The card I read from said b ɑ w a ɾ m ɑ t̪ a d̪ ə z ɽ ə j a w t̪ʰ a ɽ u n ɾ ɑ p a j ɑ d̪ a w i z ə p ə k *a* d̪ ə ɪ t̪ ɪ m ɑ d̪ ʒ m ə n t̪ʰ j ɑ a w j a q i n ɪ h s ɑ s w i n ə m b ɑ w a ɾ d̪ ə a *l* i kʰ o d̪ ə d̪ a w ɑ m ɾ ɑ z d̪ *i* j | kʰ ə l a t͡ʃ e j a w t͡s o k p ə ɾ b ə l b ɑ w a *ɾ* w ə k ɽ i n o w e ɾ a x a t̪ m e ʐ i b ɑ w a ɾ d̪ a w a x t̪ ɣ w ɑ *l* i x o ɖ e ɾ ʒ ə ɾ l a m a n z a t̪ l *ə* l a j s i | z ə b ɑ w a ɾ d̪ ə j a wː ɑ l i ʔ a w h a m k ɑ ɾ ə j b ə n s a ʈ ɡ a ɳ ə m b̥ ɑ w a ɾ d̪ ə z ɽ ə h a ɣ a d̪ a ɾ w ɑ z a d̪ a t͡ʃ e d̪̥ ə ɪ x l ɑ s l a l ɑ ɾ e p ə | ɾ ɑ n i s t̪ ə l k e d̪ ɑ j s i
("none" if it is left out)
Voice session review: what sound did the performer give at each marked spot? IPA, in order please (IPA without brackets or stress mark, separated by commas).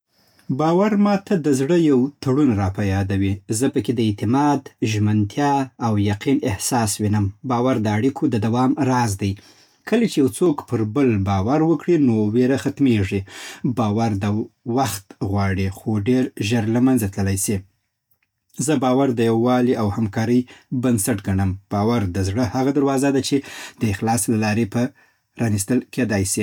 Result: e, ɽ, a, ɾ, ɽ, ə